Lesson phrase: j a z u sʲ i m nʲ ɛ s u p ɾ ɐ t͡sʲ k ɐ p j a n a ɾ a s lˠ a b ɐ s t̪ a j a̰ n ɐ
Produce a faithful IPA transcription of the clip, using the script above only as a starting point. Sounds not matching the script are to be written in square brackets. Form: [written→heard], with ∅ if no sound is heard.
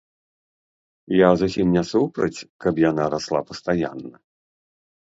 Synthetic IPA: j a z u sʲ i m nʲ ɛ s u p ɾ ɐ t͡sʲ k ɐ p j a n a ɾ a s lˠ a [b→p] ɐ s t̪ a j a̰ [n→nː] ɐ